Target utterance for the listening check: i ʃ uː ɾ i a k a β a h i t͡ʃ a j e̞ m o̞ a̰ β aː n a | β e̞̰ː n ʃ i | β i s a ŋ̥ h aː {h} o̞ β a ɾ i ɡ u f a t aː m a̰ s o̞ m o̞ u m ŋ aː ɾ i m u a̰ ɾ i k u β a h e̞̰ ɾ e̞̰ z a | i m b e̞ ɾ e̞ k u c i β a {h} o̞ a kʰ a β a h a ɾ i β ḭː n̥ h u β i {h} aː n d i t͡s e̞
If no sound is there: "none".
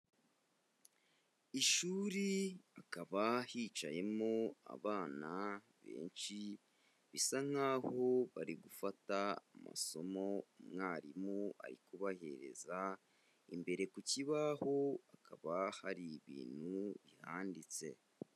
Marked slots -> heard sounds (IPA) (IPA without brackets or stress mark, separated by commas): h, h, h